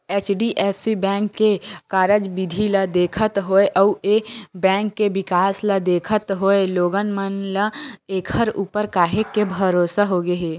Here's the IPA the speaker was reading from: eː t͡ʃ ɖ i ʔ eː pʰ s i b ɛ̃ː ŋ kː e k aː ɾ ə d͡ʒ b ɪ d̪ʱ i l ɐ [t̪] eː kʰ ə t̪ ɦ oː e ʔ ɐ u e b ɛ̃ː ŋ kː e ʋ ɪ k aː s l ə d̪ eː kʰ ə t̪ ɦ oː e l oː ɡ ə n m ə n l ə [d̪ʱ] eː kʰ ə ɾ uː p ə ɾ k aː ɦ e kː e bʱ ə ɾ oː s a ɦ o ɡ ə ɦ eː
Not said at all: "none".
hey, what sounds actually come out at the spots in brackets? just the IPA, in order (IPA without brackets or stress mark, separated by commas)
d̪, none